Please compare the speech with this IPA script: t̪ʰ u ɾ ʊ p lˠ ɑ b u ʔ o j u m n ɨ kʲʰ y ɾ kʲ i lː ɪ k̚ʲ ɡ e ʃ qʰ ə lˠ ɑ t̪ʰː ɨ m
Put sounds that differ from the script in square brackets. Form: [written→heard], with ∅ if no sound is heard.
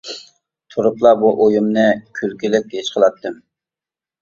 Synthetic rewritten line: t̪ʰ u ɾ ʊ p lˠ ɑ b u ʔ o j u m n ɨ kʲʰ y [ɾ→l] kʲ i [lː→l] ɪ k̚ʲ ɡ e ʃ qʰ ə lˠ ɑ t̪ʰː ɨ m